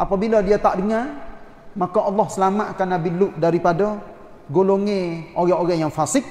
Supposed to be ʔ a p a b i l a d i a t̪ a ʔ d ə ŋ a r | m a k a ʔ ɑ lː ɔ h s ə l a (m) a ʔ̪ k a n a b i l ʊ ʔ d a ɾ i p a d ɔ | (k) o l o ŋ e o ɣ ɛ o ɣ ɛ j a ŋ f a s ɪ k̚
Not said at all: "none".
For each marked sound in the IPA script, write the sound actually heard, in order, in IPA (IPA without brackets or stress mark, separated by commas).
m, ɡ